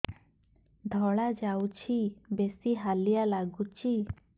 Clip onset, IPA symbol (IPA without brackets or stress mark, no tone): d̪ʱ